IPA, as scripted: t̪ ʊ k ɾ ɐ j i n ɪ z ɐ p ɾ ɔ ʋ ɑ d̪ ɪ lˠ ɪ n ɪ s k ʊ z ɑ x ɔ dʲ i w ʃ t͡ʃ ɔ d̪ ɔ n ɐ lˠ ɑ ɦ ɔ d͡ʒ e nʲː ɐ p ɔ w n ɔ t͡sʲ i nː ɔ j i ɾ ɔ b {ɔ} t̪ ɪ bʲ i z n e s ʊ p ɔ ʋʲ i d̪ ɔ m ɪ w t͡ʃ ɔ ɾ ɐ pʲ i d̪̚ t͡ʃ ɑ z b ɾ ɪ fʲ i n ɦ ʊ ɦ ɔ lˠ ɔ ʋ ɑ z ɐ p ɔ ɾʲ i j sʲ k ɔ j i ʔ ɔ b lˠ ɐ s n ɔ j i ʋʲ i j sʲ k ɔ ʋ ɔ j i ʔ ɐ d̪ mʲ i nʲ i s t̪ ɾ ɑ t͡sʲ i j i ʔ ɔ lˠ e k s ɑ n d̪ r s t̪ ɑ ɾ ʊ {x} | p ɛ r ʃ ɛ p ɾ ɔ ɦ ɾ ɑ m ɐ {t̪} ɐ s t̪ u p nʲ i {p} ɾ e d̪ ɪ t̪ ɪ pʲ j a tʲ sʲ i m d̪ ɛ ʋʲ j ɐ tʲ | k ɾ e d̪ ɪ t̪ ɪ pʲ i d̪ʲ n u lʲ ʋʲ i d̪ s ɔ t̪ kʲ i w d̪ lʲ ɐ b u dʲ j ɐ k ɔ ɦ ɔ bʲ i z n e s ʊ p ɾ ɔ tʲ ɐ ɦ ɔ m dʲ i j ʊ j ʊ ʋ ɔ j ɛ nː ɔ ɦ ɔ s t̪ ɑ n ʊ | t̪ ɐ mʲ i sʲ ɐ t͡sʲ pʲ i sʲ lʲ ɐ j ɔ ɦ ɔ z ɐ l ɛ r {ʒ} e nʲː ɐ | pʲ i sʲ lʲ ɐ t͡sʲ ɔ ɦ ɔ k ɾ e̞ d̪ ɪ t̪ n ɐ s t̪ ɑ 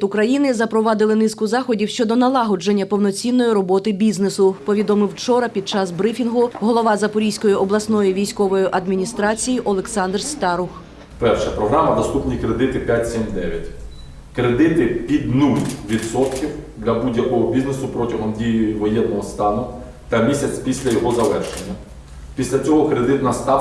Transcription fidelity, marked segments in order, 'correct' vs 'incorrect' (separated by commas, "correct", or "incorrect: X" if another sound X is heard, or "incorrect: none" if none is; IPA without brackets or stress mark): correct, correct, incorrect: d̪, incorrect: k, incorrect: ʃ